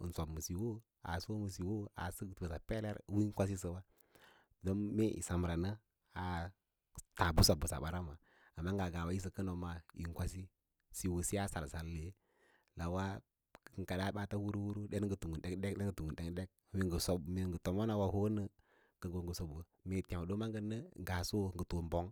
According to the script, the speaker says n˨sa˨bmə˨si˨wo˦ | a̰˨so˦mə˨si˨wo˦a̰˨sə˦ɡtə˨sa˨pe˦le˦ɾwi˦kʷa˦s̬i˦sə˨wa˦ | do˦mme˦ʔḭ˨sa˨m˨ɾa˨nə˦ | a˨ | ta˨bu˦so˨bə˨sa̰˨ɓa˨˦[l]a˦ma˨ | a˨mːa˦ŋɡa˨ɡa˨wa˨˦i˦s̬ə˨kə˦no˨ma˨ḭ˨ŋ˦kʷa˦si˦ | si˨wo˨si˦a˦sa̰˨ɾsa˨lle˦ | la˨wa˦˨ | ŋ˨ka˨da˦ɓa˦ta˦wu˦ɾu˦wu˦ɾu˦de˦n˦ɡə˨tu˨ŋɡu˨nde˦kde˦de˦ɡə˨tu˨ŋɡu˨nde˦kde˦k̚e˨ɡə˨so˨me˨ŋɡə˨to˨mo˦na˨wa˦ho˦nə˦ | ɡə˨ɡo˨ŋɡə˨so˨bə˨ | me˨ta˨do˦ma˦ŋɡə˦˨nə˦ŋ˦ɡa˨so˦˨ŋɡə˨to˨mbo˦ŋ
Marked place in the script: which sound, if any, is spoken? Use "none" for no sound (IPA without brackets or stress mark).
ɾ